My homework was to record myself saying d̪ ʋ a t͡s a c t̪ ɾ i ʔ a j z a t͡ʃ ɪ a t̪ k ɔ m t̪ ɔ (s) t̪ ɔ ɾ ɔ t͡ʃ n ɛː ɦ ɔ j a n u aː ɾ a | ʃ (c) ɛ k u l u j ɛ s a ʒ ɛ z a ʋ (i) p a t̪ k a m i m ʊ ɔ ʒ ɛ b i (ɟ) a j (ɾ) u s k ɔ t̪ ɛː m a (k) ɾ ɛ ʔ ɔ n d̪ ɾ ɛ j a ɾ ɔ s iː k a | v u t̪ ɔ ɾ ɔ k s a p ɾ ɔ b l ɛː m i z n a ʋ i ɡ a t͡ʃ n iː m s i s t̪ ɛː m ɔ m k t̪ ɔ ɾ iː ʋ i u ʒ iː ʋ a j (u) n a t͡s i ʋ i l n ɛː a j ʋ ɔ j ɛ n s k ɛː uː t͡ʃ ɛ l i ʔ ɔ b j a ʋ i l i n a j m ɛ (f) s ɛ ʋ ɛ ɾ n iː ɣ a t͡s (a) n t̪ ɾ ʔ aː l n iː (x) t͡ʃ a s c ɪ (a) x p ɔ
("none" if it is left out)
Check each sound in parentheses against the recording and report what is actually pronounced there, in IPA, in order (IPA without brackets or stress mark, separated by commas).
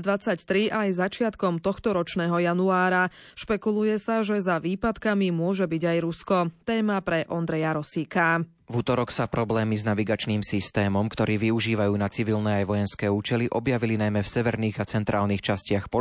x, p, iː, ɟ, ɾ, p, uː, f, ɛ, x, a